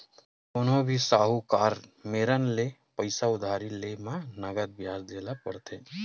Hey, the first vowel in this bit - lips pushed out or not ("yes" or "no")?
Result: yes